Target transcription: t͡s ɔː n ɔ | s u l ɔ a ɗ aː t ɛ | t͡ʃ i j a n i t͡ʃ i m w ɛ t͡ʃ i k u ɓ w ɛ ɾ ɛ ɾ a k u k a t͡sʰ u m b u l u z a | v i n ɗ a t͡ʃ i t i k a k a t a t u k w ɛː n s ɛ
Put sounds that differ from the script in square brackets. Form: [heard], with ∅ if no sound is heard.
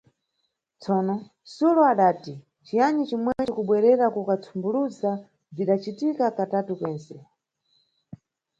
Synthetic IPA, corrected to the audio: t͡s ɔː n ɔ | s u l ɔ a ɗ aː t [i] | t͡ʃ i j a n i t͡ʃ i m w ɛ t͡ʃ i k u ɓ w ɛ ɾ ɛ ɾ a k u k a t͡sʰ u m b u l u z a | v i [∅] ɗ a t͡ʃ i t i k a k a t a t u k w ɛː n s ɛ